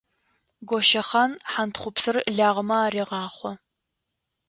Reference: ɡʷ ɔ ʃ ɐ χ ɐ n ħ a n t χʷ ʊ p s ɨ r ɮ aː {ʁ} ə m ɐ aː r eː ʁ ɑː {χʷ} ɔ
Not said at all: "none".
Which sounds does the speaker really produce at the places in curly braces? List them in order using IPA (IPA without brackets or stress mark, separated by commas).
ʁ, χʷ